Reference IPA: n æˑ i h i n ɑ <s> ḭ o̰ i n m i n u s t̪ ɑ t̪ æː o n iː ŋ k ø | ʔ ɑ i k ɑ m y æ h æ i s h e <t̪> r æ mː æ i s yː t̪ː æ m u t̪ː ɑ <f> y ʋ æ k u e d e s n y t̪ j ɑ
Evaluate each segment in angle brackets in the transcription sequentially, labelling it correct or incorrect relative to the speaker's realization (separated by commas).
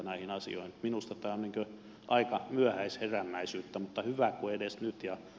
correct, incorrect, incorrect